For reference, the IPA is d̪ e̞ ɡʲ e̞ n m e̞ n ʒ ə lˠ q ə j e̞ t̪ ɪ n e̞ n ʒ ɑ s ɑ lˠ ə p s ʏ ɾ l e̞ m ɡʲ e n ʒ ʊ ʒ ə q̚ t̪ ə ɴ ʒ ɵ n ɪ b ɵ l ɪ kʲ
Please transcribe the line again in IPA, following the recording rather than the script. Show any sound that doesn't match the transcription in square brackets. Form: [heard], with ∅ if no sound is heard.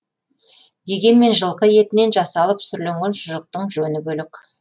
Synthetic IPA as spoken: d̪ e̞ ɡʲ e̞ n m e̞ n ʒ ə lˠ q ə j e̞ t̪ ɪ n e̞ n ʒ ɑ s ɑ lˠ ə p s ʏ ɾ l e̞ [ŋ] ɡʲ e n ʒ ʊ ʒ ə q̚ t̪ ə ɴ ʒ ɵ n ɪ b ɵ l ɪ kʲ

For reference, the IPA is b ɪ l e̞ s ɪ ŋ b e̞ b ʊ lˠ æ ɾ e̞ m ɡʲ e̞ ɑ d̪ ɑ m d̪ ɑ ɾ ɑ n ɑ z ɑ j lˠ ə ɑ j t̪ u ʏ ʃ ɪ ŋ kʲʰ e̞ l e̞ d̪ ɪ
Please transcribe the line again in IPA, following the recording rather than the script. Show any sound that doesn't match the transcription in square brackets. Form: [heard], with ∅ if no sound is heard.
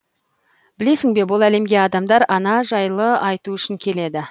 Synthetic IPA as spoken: b ɪ l e̞ s ɪ ŋ b e̞ b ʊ lˠ æ [l] e̞ m ɡʲ e̞ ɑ d̪ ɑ m d̪ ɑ ɾ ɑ n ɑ [ʒ] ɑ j lˠ ə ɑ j t̪ u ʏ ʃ ɪ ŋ kʲʰ e̞ l e̞ d̪ ɪ

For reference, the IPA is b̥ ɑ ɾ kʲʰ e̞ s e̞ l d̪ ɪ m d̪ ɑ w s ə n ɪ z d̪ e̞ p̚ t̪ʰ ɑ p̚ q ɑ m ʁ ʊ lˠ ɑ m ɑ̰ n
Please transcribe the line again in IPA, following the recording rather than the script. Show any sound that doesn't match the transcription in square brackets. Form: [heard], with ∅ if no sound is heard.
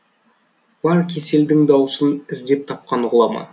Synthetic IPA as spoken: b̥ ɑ ɾ kʲʰ e̞ s e̞ l d̪ ɪ [ŋ] d̪ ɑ w s ə n ɪ z d̪ e̞ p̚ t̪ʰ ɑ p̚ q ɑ [n] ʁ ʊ lˠ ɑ m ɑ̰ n

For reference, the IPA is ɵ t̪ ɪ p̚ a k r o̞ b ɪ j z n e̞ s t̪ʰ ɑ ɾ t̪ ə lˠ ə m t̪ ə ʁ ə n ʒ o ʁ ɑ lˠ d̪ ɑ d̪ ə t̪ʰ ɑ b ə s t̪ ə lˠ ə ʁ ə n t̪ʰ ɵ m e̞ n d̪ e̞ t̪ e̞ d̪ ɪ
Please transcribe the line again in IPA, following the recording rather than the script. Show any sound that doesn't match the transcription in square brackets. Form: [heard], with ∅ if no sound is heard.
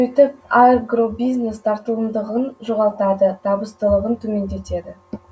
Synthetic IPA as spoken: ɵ t̪ ɪ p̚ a [ɡ] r o̞ b [i] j z n e̞ s t̪ʰ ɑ ɾ t̪ ə lˠ ə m [d̪] ə ʁ ə n ʒ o ʁ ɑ lˠ [t̪] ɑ d̪ ə t̪ʰ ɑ b ə s t̪ ə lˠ ə ʁ ə n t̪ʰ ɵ m e̞ n d̪ e̞ t̪ e̞ d̪ ɪ

